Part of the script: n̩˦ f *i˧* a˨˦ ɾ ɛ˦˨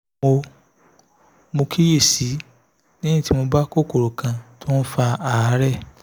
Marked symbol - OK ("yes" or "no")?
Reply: no